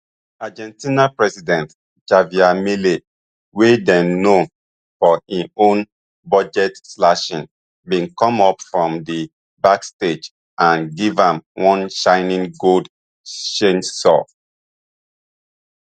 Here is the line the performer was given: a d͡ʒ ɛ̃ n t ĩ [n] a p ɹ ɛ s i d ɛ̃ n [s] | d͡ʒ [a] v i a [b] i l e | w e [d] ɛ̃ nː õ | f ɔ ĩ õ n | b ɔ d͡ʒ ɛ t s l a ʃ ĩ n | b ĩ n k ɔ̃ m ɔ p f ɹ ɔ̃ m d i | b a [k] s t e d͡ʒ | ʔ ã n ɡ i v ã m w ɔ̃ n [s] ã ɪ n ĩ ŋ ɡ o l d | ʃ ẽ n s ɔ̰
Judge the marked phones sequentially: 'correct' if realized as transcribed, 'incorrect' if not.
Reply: correct, incorrect: t, correct, incorrect: m, correct, correct, incorrect: ʃ

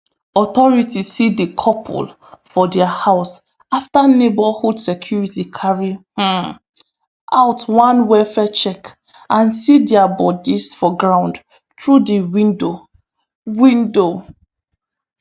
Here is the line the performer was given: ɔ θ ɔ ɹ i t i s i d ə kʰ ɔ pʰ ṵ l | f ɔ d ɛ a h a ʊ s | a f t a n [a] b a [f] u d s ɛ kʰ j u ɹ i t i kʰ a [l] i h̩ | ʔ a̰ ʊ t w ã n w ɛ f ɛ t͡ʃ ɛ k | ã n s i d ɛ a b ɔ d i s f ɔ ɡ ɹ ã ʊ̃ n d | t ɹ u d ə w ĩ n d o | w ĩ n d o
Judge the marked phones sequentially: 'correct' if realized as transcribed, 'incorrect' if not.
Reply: incorrect: e, incorrect: h, incorrect: ɹ

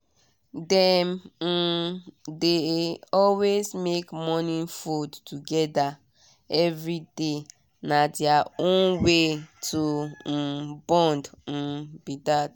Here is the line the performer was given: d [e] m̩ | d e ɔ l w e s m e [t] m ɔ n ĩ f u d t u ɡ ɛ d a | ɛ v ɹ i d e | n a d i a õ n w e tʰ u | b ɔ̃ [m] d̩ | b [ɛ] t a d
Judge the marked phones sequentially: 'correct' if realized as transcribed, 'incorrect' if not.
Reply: incorrect: ɛ, incorrect: k, incorrect: n, incorrect: i

